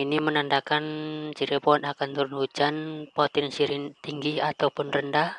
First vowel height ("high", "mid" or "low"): high